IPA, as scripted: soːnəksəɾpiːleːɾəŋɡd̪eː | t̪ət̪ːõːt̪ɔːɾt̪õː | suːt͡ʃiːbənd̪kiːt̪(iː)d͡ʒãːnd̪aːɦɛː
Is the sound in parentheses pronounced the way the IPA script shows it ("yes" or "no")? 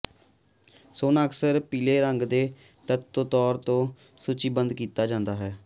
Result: no